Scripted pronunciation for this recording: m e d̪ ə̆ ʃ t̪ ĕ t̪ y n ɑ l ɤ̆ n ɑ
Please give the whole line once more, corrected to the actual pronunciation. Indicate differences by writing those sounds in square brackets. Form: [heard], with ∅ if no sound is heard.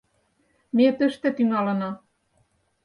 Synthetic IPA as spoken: m e [t̪] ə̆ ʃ t̪ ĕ t̪ y [ŋ] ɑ l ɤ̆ n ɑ